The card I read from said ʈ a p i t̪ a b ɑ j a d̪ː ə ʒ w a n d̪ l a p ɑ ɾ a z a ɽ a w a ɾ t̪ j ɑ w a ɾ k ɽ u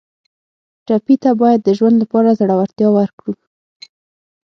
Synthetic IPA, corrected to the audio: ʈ a p i t̪ a b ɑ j a d̪ː ə ʒ w a n d̪ l a p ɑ ɾ a z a ɽ a w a ɾ t̪ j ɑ w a ɾ k ɽ u